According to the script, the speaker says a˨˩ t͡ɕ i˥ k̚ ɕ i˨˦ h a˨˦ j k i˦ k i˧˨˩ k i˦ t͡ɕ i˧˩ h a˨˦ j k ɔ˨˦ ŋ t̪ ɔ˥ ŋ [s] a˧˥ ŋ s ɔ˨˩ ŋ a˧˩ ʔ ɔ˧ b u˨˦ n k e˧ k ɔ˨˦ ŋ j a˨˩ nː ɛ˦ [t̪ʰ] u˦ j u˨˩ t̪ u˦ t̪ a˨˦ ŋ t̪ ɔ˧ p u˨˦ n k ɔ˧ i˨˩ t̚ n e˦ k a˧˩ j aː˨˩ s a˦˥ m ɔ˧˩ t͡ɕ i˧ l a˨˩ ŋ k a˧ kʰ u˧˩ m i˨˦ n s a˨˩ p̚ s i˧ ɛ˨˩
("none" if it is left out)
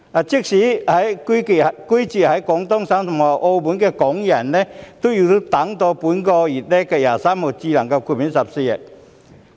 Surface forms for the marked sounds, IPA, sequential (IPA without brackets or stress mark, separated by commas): s, t̪